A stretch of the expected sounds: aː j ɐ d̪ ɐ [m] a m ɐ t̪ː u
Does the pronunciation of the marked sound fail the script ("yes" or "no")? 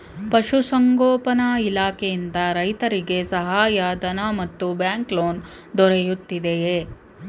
yes